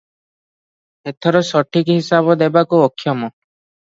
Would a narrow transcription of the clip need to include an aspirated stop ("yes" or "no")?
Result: yes